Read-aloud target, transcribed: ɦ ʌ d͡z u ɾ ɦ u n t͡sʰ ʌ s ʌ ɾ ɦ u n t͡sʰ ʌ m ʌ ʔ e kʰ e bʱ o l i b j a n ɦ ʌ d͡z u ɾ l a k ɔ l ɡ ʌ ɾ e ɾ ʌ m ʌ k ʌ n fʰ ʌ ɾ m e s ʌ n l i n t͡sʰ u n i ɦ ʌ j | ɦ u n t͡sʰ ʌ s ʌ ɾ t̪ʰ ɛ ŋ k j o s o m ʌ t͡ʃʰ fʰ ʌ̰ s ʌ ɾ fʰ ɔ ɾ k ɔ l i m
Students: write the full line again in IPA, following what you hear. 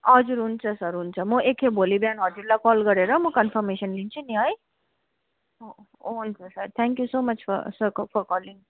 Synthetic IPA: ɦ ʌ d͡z u ɾ ɦ u n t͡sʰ ʌ s ʌ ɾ ɦ u n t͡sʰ ʌ m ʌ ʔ e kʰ e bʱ o l i b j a n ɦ ʌ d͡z u ɾ l a k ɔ l ɡ ʌ ɾ e ɾ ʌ m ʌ k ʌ n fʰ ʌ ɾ m e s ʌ n l i n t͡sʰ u n i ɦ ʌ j | ɦ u n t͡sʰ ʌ s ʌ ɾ t̪ʰ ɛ ŋ k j u s o m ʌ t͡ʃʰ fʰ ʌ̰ s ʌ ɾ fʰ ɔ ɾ k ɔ l i ŋ

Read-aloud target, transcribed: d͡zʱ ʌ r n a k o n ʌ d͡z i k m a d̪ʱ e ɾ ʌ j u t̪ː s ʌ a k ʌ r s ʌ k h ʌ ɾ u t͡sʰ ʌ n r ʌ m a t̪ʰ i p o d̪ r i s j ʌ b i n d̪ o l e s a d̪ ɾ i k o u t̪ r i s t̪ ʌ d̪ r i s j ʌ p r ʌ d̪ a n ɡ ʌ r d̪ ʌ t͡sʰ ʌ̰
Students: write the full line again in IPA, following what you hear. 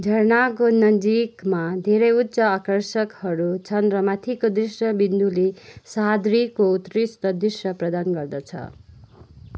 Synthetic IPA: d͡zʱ ʌ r n a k o n ʌ d͡z i k m a d̪ʱ e ɾ ʌ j u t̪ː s ʌ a k ʌ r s ʌ k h ʌ ɾ u t͡sʰ ʌ n r ʌ m a t̪ʰ i k o d̪ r i s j ʌ b i n d̪ u l e s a d̪ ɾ i k o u t̪ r i s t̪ ʌ d̪ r i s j ʌ p r ʌ d̪ a n ɡ ʌ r d̪ ʌ t͡sʰ ʌ̰

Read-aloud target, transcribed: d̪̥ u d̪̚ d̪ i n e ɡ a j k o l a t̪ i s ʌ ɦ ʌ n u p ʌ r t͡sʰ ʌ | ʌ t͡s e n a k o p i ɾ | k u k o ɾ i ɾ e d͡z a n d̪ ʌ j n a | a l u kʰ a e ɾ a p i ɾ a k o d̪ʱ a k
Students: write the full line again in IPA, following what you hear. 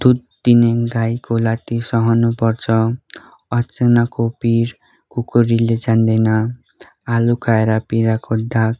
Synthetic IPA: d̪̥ u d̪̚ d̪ i n e ɡ a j k o l a t̪ i s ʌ ɦ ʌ n u p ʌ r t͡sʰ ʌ | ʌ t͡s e n a k o p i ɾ | k u k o ɾ i l e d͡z a n d̪ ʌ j n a | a l u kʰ a e ɾ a p i ɾ a k o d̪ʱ a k

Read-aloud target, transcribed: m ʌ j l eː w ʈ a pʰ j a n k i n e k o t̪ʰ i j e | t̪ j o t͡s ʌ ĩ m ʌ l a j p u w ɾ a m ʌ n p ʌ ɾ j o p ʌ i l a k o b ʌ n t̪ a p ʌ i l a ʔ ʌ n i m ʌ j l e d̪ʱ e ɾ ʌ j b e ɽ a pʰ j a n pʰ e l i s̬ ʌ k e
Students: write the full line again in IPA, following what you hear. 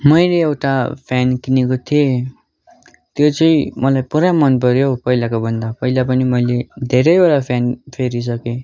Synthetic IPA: m ʌ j l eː w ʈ a pʰ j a n k i n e k o t̪ʰ i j e | t̪ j o t͡s ʌ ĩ m ʌ l a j p u ɾ a m ʌ n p ʌ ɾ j o p ʌ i l a k o b ʌ n d̪ a p ʌ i l a p ʌ n i m ʌ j l e d̪ʱ e ɾ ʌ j b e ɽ a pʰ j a n pʰ e ɾ i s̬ ʌ k e

